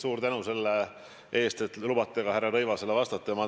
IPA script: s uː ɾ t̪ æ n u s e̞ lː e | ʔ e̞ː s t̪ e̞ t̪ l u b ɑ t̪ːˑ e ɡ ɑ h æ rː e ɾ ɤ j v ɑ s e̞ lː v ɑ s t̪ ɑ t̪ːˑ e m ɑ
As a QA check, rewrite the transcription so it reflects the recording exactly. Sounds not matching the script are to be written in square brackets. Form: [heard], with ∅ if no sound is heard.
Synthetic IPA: s uː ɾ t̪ æ n u s e̞ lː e | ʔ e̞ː s t̪ e̞ t̪ l u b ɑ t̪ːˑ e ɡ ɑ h æ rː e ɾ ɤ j v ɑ s e̞ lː v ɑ s t̪ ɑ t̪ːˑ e m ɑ